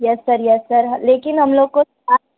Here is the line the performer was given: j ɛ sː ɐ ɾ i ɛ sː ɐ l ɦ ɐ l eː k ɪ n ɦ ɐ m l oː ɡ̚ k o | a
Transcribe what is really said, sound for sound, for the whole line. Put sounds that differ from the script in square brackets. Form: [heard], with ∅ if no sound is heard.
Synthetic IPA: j ɛ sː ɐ ɾ [j] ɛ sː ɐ [ɾ] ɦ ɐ l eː k ɪ n ɦ ɐ m l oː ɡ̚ k o | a